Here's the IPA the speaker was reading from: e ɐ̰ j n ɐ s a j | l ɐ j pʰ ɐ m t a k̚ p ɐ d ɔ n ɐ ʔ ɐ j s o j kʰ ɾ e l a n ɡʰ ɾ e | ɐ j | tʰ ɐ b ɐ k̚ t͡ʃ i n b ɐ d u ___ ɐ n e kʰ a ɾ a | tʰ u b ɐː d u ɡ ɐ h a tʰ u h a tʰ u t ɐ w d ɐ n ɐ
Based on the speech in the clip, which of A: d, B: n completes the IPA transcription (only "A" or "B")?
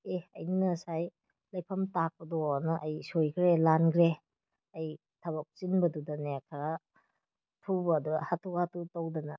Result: A